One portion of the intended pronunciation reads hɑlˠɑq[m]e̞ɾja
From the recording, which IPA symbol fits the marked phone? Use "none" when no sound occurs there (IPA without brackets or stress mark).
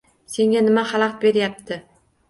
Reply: b